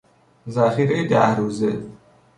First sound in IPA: z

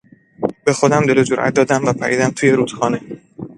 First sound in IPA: b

